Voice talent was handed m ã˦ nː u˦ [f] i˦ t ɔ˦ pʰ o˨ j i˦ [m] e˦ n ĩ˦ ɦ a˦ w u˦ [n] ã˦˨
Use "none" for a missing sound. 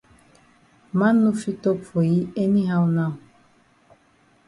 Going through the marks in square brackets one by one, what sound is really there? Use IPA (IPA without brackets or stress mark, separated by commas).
f, none, n